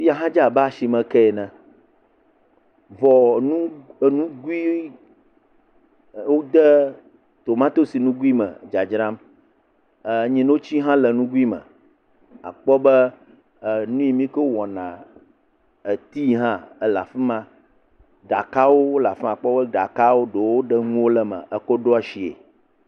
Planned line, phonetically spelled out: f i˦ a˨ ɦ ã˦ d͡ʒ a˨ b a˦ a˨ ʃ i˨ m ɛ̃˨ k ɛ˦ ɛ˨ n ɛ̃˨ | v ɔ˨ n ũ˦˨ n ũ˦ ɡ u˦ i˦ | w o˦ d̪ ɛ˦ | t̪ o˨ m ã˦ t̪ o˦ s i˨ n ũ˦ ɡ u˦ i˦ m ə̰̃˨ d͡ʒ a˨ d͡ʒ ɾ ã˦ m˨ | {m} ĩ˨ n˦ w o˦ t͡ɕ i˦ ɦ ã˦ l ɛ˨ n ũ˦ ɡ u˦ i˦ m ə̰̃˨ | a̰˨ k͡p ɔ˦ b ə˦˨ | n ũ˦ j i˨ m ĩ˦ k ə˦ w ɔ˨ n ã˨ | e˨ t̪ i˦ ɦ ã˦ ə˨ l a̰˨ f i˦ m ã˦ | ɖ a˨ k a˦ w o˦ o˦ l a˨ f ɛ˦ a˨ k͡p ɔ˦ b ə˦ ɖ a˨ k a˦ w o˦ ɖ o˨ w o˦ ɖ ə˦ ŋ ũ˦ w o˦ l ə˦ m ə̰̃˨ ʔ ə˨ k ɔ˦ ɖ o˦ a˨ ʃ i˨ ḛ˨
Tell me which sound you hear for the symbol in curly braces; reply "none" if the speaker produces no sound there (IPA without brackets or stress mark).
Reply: ɲ